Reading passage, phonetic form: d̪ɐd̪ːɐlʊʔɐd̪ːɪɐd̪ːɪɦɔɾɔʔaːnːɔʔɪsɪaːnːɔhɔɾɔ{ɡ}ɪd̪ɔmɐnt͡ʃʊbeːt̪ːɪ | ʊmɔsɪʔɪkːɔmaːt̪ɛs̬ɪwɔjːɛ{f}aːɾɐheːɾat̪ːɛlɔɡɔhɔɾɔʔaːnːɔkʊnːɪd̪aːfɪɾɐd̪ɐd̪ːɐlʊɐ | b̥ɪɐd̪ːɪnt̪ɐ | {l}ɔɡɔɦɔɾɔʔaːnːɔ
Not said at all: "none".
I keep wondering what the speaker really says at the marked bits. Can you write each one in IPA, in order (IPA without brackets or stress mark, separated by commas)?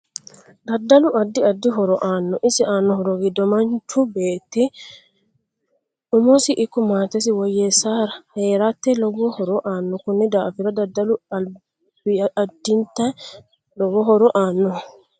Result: ɡ, s, l